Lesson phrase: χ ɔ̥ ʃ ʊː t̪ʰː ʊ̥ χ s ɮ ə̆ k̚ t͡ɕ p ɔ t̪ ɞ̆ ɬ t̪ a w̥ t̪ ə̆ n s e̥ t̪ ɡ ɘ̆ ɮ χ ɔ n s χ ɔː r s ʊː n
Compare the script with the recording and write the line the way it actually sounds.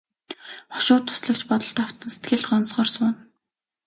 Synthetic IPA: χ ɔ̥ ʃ ʊː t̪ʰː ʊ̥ s ɮ ə̆ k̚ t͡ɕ p ɔ t̪ ɞ̆ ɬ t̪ a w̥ t̪ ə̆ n s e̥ t̪ ɡ ɘ̆ ɮ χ ɔ n s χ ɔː r s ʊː n

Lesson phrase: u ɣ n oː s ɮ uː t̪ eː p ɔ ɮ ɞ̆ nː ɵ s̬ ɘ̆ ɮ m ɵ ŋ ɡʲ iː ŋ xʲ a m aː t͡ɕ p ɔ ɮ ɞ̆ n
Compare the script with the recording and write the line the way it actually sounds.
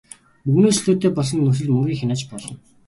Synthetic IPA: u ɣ n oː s ɮ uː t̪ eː p ɔ ɮ ɞ̆ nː ɵ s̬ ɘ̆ ɮ m ɵ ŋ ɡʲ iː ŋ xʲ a n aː t͡ɕ p ɔ ɮ ɞ̆ n

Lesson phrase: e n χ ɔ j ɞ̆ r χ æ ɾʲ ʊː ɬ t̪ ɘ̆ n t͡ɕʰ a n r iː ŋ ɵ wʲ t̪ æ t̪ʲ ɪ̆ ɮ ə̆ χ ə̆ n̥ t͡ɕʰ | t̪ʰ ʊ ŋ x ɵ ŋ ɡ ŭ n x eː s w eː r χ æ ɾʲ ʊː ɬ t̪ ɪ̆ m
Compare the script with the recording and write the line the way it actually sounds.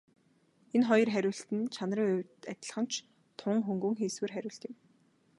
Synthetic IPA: e n χ ɔ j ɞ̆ r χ æ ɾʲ ʊː ɬ t̪ ɘ̆ n t͡ɕʰ a n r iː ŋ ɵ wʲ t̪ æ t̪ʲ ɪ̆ ɮ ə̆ χ ə̆ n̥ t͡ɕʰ | t̪ʰ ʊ ŋ x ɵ ŋ ɡ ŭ ŋ x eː s w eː r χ æ ɾʲ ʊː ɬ t̪ ɪ̆ m

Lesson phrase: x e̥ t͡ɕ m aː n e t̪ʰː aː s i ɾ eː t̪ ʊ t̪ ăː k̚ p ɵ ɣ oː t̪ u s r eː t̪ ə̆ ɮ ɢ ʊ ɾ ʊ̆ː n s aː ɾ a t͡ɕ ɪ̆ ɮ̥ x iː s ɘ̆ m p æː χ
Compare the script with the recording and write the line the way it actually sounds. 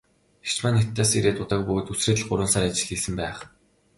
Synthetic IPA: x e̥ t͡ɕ m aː n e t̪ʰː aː s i ɾ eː t̪ ʊ t̪ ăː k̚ p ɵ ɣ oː t̪ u s r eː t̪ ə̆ ɮ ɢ ʊ ɾ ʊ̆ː n s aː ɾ a t͡ɕ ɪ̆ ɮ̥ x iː s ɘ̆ m p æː χ

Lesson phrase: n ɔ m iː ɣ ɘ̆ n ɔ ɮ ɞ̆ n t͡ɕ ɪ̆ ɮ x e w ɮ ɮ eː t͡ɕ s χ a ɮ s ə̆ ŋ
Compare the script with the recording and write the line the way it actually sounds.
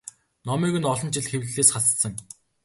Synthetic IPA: n ɔ m iː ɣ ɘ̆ n ɔ ɮ ɞ̆ n t͡ɕ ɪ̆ ɮ x e w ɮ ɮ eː s χ a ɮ s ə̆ ŋ

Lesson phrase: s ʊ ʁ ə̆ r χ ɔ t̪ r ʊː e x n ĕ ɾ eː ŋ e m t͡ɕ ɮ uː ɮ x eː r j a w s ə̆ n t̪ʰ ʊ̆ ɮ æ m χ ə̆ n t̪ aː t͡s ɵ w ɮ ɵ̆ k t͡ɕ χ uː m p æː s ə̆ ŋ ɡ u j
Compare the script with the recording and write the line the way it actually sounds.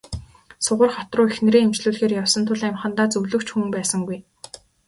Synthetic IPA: s ʊ ʁ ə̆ r χ ɔ t̪ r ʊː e x n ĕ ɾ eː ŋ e m t͡ɕ ɮ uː ɮ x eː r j a w s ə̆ n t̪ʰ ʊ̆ ɮ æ m χ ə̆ n t̪ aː t͡s ɵ w ɮ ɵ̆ k t͡ɕ x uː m p æː s ə̆ ŋ ɡ u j

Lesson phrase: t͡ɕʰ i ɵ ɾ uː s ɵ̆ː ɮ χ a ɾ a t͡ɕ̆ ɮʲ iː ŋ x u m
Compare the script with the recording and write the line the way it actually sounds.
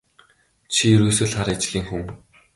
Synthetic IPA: t͡ɕʰ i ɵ ɾ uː s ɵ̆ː ɮ χ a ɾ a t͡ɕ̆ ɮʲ iː ŋ x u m

